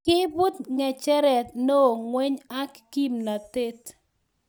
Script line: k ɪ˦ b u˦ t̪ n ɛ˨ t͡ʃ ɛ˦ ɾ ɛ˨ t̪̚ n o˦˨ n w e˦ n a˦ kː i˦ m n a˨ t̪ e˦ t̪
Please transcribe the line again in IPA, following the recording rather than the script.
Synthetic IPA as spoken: k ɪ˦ b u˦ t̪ ŋ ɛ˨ t͡ʃ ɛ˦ ɾ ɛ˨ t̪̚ n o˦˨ ŋ w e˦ ɲ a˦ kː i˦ m n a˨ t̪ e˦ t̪